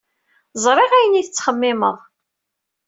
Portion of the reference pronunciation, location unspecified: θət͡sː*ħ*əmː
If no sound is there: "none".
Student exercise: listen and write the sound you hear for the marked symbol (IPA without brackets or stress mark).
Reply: χ